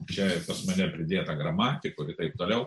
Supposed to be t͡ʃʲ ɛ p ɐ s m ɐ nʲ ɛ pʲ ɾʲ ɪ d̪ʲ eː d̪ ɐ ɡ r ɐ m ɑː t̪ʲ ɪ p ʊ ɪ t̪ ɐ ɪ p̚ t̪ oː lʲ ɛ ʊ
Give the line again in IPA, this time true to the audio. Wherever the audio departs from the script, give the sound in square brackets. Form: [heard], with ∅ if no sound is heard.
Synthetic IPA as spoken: t͡ʃʲ ɛ p ɐ s m ɐ nʲ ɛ pʲ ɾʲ ɪ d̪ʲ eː [t̪] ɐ ɡ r ɐ m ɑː t̪ʲ ɪ [k] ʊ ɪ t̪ ɐ ɪ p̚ t̪ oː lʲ ɛ ʊ